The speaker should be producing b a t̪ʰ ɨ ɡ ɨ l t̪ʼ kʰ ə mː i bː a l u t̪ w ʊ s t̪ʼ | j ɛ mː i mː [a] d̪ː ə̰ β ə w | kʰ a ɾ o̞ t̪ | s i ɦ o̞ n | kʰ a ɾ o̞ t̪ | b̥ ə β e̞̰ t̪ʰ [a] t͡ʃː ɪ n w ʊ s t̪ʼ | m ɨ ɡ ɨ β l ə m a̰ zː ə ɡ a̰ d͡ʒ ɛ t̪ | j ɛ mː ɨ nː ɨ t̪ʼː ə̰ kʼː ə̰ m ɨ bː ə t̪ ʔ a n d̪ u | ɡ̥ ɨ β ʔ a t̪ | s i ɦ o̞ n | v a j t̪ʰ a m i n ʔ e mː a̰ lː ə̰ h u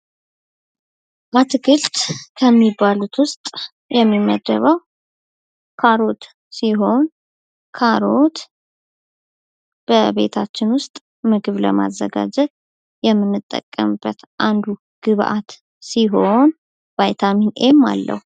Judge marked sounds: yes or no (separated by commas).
no, yes